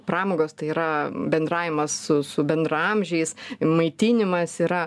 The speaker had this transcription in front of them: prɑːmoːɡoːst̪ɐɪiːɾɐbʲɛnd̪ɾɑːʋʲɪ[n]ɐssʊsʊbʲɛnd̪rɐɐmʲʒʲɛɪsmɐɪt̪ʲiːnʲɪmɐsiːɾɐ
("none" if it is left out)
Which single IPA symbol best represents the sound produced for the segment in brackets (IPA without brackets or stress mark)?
m